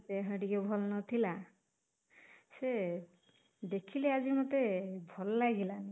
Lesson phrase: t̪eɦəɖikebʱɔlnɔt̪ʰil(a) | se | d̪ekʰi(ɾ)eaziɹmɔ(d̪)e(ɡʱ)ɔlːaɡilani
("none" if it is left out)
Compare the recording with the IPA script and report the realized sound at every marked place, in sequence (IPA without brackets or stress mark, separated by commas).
a, l, t̪, bʱ